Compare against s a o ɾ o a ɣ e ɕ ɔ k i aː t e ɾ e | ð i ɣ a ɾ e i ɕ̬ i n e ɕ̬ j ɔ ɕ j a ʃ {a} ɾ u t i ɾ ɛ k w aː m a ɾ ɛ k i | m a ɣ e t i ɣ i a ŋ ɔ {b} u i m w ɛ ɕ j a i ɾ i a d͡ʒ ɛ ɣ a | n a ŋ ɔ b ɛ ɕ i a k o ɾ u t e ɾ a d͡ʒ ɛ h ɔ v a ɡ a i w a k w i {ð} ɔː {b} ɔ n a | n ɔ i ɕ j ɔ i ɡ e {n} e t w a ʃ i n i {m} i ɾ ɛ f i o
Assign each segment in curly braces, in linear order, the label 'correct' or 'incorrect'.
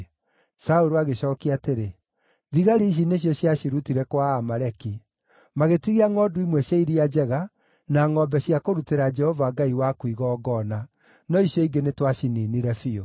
incorrect: i, incorrect: d, incorrect: ɣ, incorrect: ɡ, correct, incorrect: n

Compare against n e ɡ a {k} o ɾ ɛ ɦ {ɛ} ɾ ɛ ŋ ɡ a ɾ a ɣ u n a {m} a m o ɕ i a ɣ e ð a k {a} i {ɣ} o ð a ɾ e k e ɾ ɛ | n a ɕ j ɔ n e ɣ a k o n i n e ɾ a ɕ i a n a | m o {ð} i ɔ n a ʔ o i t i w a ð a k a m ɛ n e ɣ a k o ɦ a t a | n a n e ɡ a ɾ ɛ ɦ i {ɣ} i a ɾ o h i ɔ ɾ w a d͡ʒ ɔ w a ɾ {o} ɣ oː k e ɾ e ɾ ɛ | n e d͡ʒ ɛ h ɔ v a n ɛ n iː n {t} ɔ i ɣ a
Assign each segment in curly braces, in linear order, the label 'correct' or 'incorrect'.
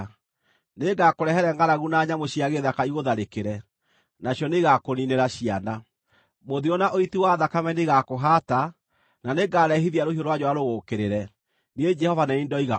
correct, correct, incorrect: ɲ, correct, correct, correct, incorrect: ð, correct, incorrect: d

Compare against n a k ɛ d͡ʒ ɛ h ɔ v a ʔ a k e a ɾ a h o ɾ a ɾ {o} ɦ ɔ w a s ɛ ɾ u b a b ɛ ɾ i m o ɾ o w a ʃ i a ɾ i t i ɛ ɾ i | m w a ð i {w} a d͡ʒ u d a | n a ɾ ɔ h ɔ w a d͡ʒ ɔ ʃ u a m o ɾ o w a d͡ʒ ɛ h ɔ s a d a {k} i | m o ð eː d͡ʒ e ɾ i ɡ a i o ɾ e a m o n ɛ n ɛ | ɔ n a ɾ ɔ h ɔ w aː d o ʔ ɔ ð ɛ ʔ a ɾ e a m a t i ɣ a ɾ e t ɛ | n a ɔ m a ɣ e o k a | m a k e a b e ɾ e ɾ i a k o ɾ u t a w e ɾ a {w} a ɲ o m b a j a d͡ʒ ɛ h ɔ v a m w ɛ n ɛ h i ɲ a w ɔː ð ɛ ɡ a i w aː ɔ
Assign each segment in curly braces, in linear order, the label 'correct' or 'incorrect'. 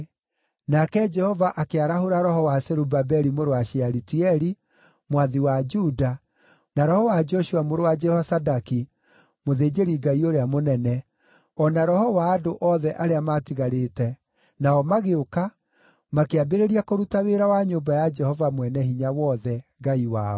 incorrect: ɔ, correct, correct, correct

